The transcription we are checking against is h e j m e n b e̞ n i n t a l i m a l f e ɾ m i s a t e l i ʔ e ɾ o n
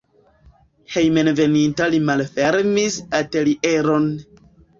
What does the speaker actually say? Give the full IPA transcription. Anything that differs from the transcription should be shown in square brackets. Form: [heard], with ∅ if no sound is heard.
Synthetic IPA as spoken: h e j m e n [v] e̞ n i n t a l i m a l f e ɾ m i s a t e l i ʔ e ɾ o n

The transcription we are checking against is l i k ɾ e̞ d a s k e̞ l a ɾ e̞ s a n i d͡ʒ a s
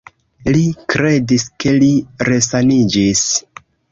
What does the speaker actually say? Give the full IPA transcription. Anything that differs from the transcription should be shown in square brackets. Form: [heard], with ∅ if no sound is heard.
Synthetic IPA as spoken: l i k ɾ e̞ d [i] s k e̞ l [i] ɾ e̞ s a n i d͡ʒ [i] s

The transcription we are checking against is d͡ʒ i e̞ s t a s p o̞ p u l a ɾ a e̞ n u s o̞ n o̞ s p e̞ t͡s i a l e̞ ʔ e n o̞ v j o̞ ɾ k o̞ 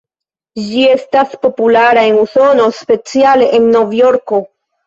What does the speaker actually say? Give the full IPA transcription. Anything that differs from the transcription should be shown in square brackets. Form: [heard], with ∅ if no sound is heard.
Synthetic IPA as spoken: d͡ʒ i e̞ s t a s p o̞ p u l a ɾ a e̞ n u s o̞ n o̞ s p e̞ t͡s i a l e̞ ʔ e [nː] o̞ v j o̞ ɾ k o̞

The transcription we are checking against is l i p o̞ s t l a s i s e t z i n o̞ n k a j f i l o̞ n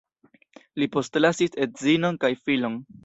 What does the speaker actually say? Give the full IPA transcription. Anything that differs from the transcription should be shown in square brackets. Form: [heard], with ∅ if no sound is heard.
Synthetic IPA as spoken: l i p o̞ s t l a s i s e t z i n o̞ n k a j f i l o̞ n

